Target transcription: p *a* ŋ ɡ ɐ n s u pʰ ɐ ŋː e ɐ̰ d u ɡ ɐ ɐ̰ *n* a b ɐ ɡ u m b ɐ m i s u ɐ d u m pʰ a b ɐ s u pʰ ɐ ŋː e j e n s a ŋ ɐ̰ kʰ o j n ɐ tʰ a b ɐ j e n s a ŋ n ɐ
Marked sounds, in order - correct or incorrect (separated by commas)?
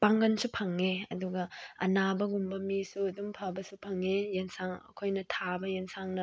correct, correct